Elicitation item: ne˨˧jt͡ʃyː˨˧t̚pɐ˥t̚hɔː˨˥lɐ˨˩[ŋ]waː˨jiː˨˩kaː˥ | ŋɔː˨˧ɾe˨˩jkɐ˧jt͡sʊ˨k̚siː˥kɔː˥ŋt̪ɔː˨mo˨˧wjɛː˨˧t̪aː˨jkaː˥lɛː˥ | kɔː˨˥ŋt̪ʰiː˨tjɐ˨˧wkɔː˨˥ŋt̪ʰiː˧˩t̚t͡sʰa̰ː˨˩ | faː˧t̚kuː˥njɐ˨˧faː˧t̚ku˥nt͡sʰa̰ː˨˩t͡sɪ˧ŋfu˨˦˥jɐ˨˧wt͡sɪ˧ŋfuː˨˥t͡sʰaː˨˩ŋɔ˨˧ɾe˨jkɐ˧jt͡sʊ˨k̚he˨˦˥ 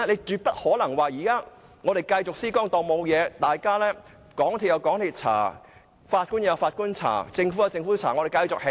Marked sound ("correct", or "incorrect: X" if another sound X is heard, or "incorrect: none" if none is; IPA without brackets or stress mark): correct